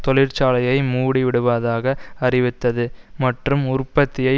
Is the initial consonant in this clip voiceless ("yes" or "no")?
yes